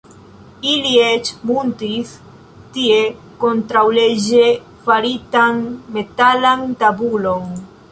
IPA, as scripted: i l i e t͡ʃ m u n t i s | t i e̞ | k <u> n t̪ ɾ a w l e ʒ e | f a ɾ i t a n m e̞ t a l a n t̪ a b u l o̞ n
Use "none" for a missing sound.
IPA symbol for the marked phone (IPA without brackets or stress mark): o